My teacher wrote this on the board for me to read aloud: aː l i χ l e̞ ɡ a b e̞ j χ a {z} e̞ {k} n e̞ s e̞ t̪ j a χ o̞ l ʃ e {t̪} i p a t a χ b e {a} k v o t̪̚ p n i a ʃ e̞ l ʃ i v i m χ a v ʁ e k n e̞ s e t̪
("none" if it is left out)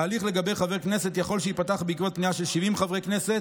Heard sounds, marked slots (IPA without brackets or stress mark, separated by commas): v, k, none, i